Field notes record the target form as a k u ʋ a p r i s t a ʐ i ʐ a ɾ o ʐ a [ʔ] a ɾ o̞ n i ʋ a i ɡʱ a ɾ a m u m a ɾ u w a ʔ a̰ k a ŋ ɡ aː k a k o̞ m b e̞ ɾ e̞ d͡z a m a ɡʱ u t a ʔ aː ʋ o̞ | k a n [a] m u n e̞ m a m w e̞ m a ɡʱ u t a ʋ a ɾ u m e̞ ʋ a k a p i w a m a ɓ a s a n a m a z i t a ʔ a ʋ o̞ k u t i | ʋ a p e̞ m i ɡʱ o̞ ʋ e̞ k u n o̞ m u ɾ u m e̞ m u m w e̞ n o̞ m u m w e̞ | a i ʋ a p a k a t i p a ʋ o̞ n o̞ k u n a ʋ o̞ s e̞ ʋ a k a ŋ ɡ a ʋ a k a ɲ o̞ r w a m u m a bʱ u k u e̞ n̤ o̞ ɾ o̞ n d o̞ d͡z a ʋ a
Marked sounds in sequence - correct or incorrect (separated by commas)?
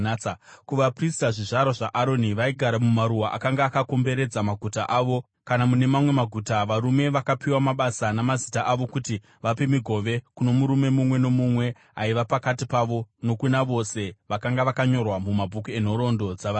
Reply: correct, correct